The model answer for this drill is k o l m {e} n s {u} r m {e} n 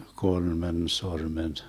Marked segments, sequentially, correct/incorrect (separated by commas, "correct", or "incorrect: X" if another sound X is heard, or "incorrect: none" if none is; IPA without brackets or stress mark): correct, incorrect: o, correct